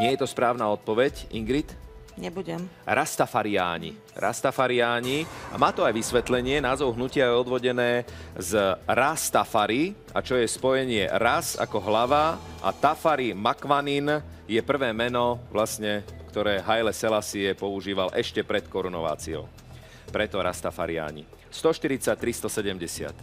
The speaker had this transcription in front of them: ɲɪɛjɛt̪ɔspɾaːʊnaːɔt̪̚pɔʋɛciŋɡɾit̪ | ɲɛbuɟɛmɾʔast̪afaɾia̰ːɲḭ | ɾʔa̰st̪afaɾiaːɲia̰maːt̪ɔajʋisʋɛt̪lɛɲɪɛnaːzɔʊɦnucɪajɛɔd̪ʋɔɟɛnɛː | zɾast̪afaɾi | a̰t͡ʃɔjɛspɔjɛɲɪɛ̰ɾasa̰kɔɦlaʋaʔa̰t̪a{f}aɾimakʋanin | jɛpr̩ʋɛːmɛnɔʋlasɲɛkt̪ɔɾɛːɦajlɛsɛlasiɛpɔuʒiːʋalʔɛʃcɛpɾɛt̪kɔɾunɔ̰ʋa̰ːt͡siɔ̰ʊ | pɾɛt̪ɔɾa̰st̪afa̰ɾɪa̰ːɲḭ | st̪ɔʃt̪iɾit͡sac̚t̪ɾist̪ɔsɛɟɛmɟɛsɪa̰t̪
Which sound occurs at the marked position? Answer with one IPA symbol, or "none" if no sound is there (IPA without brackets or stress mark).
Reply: f